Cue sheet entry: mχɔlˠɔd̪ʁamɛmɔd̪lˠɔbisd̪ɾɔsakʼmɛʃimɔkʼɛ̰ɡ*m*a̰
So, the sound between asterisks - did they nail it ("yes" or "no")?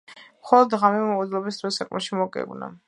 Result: no